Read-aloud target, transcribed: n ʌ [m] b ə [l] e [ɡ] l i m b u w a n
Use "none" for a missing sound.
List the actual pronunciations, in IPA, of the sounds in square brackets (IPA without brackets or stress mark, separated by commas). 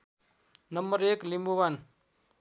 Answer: m, ɾ, k